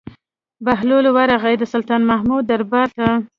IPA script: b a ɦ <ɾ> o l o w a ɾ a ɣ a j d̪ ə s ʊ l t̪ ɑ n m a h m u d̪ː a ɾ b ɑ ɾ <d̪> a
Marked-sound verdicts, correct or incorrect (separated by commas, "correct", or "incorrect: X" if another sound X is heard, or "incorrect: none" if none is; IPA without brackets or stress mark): incorrect: l, incorrect: t̪